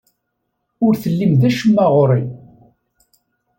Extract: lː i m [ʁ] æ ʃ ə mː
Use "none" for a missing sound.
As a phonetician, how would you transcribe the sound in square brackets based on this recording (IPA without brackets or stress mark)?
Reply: ð